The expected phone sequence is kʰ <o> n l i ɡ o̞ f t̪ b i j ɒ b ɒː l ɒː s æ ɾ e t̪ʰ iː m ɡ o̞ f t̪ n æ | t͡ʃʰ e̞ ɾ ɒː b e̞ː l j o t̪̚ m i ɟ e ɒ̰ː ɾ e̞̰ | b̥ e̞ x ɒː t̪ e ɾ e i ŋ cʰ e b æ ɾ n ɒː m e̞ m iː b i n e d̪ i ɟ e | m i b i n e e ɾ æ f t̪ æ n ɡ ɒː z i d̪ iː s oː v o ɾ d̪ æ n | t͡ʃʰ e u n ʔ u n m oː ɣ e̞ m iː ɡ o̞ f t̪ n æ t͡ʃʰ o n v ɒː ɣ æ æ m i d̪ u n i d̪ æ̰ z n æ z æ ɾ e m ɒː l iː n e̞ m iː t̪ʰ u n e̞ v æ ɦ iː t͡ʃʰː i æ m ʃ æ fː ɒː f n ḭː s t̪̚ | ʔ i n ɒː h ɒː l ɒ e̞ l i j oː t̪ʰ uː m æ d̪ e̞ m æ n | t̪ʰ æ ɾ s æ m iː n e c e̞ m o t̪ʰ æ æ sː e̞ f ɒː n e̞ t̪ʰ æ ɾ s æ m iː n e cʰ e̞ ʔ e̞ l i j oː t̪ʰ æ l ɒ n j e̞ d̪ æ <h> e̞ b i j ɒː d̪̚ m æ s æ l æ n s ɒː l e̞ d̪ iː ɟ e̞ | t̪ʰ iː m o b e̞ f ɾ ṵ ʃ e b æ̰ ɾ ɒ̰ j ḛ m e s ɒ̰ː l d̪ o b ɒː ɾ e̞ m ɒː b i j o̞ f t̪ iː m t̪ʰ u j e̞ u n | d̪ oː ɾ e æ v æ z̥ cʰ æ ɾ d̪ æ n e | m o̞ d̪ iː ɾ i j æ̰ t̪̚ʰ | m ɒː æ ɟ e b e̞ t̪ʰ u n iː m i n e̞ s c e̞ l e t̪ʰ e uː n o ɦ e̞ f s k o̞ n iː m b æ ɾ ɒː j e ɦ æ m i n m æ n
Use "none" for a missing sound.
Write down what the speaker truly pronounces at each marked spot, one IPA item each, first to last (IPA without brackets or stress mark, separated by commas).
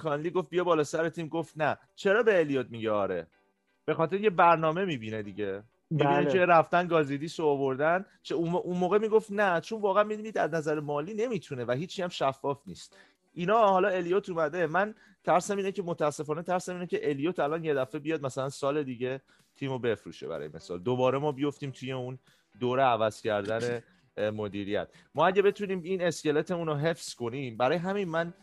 ɒ, f